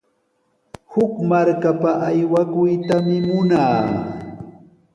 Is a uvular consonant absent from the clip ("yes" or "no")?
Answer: yes